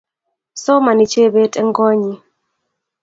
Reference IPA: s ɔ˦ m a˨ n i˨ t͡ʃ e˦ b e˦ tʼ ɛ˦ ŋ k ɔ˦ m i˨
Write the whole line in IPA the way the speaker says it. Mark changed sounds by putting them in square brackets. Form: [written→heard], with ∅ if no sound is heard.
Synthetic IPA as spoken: s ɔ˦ m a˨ n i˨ t͡ʃ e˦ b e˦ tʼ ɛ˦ ŋ [k→ɡ] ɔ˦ [m→ɲ] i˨